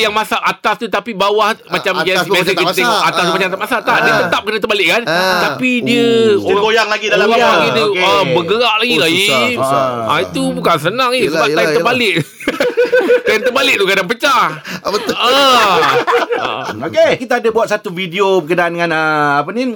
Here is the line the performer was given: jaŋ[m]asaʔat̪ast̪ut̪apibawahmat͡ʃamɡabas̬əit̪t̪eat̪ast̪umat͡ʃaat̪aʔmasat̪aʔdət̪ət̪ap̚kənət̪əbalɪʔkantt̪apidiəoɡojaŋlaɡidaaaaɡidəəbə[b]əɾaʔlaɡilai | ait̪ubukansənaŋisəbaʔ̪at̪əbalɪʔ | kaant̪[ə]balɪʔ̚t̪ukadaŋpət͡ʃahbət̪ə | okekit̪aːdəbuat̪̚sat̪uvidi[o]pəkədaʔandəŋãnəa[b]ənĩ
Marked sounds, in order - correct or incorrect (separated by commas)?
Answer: correct, incorrect, correct, correct, incorrect